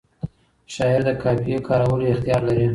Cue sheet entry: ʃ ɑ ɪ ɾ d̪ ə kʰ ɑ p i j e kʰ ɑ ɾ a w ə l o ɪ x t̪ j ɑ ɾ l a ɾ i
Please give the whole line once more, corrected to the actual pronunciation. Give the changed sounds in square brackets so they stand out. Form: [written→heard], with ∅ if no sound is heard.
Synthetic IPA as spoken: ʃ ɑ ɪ ɾ d̪ ə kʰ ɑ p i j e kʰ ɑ ɾ a w ə l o ɪ x t̪ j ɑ ɾ l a ɾ i